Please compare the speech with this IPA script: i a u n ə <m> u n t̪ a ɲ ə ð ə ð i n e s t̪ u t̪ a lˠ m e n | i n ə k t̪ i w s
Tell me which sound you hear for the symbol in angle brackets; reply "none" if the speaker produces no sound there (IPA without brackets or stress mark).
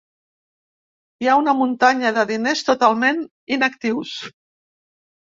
m